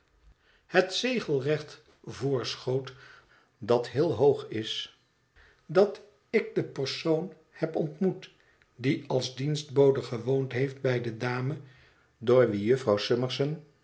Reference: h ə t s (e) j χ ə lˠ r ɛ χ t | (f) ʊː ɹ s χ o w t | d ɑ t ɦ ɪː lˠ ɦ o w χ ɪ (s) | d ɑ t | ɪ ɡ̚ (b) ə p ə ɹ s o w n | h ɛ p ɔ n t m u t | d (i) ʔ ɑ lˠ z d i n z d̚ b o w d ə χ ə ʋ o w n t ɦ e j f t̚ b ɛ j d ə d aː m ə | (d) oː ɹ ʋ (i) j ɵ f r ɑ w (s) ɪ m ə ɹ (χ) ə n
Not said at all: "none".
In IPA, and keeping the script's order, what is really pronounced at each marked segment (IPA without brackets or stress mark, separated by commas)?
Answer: e, v, s, d, i, d, i, s, s